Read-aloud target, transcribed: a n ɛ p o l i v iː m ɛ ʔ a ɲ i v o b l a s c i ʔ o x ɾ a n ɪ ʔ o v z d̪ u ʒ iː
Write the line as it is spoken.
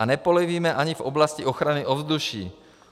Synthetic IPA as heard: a n ɛ p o l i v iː m ɛ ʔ a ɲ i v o b l a s c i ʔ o x ɾ a n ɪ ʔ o v z d̪ u ʃ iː